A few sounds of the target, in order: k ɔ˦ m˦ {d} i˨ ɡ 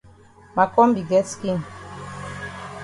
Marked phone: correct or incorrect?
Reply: incorrect: b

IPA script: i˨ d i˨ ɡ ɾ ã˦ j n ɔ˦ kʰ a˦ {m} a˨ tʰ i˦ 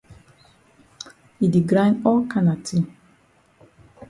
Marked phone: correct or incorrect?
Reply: incorrect: n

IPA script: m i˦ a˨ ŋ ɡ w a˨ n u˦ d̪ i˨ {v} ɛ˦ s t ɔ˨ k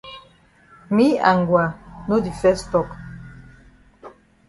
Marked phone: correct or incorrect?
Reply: incorrect: f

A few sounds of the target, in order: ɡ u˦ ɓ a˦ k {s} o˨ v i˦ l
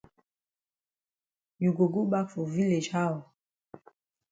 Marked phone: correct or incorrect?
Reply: incorrect: f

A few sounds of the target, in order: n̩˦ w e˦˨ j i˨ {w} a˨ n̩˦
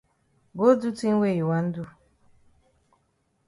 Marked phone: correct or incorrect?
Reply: correct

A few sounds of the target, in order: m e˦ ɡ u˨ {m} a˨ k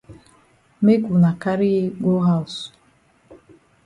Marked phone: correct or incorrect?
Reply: incorrect: n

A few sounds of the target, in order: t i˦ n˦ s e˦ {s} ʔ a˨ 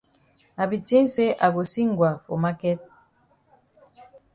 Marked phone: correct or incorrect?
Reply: incorrect: none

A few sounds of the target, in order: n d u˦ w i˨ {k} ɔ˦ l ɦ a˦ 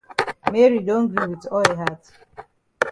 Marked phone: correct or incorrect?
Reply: incorrect: t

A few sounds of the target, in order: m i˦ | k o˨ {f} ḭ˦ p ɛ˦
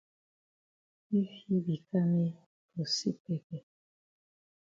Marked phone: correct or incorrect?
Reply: incorrect: s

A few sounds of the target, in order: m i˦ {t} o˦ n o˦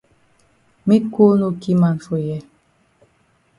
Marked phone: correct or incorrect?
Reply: incorrect: k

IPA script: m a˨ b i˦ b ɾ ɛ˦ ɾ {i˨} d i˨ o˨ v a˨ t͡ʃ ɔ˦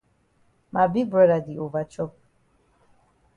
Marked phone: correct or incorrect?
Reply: incorrect: a˨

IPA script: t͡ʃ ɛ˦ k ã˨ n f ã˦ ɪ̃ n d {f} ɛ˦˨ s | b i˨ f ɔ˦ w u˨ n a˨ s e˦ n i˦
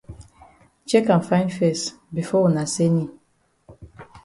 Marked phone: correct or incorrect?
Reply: correct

